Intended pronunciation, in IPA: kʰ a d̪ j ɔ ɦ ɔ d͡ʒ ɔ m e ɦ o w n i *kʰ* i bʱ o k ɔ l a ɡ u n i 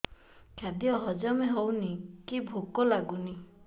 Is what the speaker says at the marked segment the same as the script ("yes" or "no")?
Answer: no